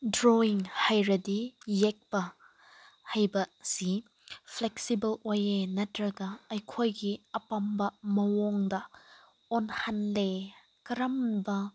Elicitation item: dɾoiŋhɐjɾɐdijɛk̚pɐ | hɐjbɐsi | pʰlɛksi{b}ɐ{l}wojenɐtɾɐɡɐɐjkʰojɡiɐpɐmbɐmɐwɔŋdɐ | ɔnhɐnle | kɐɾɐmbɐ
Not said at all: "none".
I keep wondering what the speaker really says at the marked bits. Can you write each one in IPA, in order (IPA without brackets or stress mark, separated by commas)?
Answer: b, l